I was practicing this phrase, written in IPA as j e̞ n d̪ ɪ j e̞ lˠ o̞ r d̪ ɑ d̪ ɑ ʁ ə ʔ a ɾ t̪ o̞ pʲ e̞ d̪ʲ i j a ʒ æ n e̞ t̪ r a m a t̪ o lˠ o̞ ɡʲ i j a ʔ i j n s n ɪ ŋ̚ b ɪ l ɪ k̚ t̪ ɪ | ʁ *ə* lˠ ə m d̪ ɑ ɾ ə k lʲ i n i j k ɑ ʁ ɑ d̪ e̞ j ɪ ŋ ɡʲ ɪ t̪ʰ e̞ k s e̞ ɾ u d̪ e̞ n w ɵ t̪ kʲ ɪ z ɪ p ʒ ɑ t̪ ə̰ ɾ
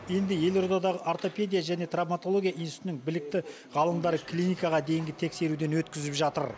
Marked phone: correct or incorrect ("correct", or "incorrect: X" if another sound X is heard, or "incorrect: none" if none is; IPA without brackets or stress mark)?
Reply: incorrect: ɑ